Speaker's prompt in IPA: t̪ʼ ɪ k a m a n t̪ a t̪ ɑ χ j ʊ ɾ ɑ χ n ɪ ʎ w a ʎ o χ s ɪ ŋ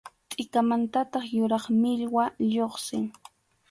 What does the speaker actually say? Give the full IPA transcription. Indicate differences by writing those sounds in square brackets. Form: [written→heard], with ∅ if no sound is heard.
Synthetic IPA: t̪ʼ ɪ k a m a n t̪ a t̪ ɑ χ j ʊ ɾ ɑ χ [n→m] ɪ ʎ w a ʎ o χ s ɪ ŋ